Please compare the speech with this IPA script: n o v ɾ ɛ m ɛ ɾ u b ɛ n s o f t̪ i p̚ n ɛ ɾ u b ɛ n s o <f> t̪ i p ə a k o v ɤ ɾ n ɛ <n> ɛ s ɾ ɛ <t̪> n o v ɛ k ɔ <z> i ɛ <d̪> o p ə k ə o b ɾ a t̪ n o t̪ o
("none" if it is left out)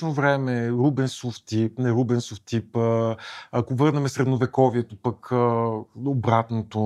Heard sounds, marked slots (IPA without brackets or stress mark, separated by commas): f, m, d̪, v, t̪